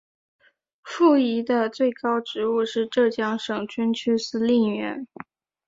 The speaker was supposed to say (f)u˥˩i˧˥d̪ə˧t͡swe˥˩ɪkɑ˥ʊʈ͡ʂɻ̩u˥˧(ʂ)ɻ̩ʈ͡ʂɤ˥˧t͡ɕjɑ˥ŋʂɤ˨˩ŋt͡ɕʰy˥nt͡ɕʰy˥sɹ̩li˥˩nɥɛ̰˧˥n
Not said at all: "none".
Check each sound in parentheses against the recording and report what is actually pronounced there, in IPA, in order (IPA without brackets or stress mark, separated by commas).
f, ʂ